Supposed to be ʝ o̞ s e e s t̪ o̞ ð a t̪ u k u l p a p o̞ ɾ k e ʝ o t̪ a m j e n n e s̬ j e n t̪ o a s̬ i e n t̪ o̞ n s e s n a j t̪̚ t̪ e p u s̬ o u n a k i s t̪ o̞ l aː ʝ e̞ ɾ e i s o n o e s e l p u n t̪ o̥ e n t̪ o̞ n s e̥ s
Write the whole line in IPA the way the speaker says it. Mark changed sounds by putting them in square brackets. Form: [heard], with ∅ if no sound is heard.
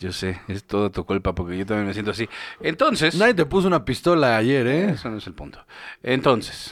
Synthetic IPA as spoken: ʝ o̞ s e e s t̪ o̞ ð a t̪ u k u l p a p o̞ ɾ k e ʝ o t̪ a m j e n [m] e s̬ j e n t̪ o a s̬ i e n t̪ o̞ n s e s n a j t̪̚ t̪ e p u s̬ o u n a [p] i s t̪ o̞ l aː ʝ e̞ ɾ e [e] s o n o e s e l p u n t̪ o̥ e n t̪ o̞ n s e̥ s